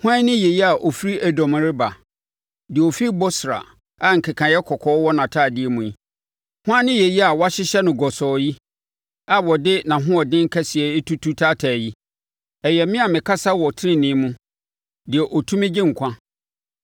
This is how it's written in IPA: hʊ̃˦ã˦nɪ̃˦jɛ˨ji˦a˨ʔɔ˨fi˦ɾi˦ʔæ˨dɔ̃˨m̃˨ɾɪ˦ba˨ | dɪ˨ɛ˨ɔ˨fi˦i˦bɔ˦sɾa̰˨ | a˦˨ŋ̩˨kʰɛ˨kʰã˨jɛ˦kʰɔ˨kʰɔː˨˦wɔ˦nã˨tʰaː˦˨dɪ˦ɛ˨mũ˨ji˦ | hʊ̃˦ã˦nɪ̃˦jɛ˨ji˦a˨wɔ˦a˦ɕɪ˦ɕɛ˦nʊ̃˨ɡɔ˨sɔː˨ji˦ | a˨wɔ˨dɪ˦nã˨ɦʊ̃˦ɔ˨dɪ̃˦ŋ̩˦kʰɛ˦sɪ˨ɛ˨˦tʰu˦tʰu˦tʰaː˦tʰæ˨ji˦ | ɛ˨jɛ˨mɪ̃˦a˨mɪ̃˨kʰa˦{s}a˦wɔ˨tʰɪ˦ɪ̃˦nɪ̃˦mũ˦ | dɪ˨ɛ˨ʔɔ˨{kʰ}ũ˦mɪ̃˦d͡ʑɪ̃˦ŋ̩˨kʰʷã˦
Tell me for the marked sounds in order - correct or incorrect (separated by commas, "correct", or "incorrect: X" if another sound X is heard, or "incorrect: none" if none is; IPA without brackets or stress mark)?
correct, incorrect: tʰ